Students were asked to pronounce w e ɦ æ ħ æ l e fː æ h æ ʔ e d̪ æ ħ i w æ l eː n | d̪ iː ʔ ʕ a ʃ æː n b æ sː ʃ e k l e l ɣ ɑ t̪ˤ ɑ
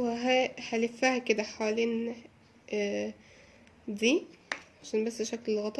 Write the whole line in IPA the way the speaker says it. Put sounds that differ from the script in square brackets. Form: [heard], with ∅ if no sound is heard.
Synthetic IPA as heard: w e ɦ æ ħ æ l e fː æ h æ [k] e d̪ æ ħ [a] w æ l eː n | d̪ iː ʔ ʕ a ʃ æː n b æ sː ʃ [æ] k l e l ɣ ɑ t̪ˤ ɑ

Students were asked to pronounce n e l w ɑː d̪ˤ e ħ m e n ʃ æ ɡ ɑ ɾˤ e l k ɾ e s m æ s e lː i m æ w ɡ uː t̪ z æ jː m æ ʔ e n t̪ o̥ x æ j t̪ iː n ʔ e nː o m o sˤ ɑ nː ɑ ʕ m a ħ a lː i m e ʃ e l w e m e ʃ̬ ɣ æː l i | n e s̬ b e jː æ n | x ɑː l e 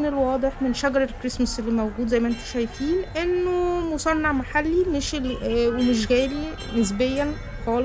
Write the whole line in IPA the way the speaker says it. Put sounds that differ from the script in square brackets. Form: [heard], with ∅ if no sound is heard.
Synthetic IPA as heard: n e l w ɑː d̪ˤ e ħ m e n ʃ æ ɡ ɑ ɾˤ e l k ɾ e s m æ s e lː i m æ w ɡ uː [d̪] z æ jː m æ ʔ e n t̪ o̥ [ʃ] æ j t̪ iː n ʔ e nː o m o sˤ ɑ nː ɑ ʕ m a ħ a lː i m e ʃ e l w e m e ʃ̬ ɣ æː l i | n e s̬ b e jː æ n | x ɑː l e

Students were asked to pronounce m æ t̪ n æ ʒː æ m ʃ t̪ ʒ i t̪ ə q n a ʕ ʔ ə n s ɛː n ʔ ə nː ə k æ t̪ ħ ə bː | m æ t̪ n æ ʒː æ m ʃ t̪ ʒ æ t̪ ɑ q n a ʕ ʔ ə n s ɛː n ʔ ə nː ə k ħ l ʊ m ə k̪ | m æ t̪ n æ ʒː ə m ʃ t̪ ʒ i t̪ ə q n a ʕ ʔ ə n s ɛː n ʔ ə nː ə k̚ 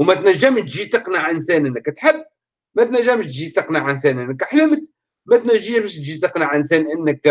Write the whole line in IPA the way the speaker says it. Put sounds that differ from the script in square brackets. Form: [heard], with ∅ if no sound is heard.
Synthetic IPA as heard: m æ t̪ n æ ʒː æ m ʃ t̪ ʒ i t̪ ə q n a ʕ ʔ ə n s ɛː n ʔ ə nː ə k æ t̪ ħ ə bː | m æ t̪ n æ ʒː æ m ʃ t̪ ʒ [i] t̪ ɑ q n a ʕ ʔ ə n s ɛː n ʔ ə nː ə k ħ l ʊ m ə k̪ | m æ t̪ n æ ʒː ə m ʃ t̪ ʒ i t̪ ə q n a ʕ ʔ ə n s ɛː n ʔ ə nː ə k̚

